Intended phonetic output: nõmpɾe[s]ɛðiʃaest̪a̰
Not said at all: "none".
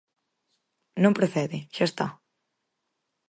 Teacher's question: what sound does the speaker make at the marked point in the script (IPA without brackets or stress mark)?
θ